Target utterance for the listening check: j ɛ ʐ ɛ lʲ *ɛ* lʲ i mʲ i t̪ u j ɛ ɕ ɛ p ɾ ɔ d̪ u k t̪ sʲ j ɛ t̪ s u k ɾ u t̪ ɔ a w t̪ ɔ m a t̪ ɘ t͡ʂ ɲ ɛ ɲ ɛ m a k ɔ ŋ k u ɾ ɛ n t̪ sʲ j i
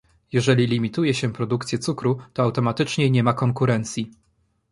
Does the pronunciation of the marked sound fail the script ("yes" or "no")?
yes